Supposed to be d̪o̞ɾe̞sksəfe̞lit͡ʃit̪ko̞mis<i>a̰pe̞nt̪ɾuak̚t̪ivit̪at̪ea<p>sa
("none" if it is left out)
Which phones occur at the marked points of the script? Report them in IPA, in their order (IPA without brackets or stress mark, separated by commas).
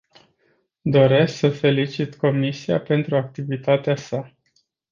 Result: i, none